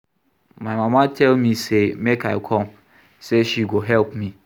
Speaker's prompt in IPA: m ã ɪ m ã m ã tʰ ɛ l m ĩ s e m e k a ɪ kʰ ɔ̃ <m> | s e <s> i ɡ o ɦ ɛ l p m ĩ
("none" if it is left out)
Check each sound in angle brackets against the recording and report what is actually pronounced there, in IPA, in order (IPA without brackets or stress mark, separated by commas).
m, ʃ